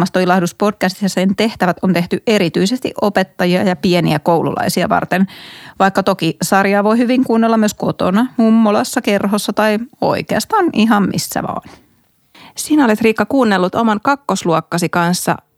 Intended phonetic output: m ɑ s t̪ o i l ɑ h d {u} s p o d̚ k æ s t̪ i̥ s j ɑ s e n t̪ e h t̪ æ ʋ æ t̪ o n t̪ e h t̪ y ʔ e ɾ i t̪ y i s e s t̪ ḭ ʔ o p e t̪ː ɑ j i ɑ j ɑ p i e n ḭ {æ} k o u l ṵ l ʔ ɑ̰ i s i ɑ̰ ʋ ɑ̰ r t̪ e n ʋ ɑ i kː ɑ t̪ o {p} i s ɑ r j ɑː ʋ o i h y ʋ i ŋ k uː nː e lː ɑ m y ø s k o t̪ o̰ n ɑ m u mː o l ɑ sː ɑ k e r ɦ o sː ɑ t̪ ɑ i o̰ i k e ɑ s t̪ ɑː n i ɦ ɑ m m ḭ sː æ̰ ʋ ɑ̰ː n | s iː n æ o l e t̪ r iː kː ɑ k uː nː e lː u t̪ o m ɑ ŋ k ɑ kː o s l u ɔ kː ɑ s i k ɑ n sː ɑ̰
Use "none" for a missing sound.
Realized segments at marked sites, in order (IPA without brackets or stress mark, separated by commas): u, æ, k